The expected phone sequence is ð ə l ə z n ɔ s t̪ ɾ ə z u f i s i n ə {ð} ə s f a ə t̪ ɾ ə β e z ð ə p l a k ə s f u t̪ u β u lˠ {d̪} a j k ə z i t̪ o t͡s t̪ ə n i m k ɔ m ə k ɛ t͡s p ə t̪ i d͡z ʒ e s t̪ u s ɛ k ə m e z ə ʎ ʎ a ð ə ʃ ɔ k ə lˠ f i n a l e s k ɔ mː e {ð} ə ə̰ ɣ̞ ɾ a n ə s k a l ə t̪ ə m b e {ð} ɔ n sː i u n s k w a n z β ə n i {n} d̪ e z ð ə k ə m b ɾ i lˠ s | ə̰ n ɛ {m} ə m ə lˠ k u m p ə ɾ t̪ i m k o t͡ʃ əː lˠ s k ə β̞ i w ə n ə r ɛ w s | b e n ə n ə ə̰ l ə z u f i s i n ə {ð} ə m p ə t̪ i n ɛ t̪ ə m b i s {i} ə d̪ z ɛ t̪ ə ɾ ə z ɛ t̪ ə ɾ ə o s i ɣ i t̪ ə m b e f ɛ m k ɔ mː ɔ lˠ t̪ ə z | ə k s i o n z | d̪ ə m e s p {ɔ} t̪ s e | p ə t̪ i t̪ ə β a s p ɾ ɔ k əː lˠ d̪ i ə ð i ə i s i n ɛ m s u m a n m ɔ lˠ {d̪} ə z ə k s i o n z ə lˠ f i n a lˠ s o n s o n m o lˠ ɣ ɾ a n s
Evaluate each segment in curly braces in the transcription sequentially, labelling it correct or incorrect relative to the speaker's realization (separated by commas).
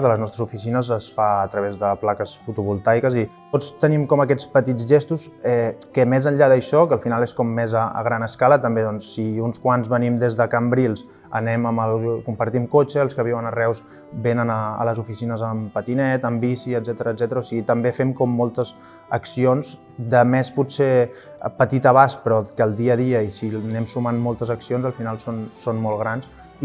incorrect, incorrect, incorrect, correct, incorrect, correct, incorrect, correct, incorrect, incorrect